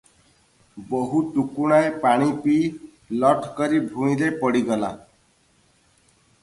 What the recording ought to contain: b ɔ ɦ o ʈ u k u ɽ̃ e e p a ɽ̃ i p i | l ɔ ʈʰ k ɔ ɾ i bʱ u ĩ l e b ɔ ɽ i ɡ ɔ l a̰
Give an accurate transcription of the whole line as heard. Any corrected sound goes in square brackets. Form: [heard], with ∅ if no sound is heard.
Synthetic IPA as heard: b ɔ ɦ [u] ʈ u k u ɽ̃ [a] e p a ɽ̃ i p i | l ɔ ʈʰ k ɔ ɾ i bʱ u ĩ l e [p] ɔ ɽ i ɡ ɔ l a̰

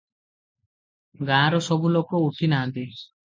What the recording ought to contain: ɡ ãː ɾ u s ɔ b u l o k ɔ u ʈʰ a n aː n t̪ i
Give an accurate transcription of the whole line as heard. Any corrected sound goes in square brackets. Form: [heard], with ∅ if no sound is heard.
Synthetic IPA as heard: ɡ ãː ɾ [ɔ] s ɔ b u l o k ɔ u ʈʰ [i] n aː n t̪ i

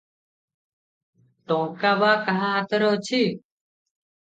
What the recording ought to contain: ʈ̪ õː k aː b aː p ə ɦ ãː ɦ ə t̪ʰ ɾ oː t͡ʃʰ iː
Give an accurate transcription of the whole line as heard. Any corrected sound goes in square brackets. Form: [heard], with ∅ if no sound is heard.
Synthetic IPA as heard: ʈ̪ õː k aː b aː [k] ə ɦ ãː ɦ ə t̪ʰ ɾ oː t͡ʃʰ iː

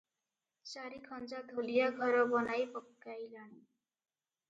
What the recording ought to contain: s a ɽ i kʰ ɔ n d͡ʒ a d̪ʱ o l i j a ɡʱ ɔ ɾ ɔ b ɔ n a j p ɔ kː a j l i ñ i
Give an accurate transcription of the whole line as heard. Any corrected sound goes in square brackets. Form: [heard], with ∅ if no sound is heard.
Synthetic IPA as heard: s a [ɾ] i kʰ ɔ n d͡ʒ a d̪ʱ o l i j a ɡʱ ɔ ɾ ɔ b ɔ n a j p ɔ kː a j l [a] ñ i

